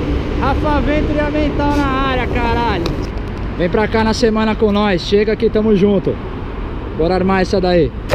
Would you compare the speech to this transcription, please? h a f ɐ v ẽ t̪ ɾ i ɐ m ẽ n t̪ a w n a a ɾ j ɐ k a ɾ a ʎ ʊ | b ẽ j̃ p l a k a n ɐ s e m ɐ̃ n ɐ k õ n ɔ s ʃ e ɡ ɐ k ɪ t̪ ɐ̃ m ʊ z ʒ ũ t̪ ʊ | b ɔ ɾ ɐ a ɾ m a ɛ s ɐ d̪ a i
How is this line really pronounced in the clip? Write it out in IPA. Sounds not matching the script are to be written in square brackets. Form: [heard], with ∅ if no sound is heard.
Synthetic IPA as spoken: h a f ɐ v ẽ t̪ ɾ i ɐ m ẽ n t̪ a w n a a ɾ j ɐ k a ɾ a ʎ ʊ | [v] ẽ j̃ p [ɾ] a k a n ɐ s e m ɐ̃ n ɐ k õ n ɔ s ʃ e ɡ ɐ k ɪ t̪ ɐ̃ m ʊ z ʒ ũ t̪ ʊ | b ɔ ɾ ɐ a ɾ m a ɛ s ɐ d̪ a i

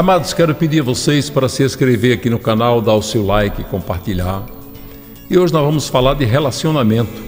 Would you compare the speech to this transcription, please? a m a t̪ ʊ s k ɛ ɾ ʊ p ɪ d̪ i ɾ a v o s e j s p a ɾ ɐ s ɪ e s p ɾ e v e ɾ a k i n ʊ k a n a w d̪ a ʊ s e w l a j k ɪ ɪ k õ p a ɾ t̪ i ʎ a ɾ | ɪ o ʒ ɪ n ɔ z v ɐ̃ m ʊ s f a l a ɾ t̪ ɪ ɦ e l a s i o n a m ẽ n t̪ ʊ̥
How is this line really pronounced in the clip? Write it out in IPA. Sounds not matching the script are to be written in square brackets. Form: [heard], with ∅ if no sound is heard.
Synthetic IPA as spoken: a m a [d̪] ʊ s k ɛ ɾ ʊ p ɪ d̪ i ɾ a v o s e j s p a ɾ ɐ s ɪ e s [k] ɾ e v e ɾ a k i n ʊ k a n a w d̪ a ʊ s e w l a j k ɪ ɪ k õ p a ɾ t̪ i ʎ a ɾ | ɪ o ʒ ɪ n ɔ z v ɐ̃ m ʊ s f a l a ɾ [d̪] ɪ ɦ e l a s i o n a m ẽ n t̪ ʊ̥

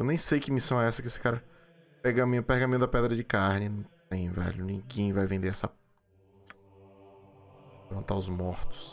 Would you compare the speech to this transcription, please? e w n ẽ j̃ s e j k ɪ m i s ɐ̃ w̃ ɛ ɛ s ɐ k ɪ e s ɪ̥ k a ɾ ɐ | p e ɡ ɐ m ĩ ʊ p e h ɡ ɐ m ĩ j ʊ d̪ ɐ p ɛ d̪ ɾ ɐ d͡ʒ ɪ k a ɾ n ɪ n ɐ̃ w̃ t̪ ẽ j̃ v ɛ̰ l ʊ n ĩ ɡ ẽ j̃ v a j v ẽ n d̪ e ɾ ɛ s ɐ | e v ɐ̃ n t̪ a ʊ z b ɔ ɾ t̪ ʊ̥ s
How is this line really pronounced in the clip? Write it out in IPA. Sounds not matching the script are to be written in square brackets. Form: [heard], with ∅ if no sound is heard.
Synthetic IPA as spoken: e w n ẽ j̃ s e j k ɪ m i s ɐ̃ w̃ ɛ ɛ s ɐ k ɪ e s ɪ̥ k a ɾ ɐ | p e ɡ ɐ m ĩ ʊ p e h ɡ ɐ m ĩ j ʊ d̪ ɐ p ɛ d̪ ɾ ɐ d͡ʒ ɪ k a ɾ n ɪ n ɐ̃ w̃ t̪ ẽ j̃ v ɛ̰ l ʊ n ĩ ɡ ẽ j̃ v a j v ẽ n d̪ e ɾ ɛ s ɐ | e v ɐ̃ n t̪ a ʊ z [m] ɔ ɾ t̪ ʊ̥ s

